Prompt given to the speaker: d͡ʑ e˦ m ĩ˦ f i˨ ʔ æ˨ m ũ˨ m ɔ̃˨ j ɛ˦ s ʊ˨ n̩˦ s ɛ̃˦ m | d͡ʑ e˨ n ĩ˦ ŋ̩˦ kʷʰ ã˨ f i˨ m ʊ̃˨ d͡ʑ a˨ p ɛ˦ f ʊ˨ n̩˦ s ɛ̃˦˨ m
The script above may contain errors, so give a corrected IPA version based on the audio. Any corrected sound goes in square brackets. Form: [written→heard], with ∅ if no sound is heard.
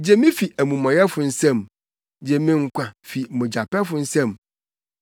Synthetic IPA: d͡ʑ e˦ m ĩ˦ f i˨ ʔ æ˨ m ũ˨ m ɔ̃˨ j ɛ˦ [s→f] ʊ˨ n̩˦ s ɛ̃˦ m | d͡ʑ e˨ [n→m] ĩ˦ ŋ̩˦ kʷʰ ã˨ f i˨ m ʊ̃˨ d͡ʑ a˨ p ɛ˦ f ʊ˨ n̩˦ s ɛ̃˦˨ m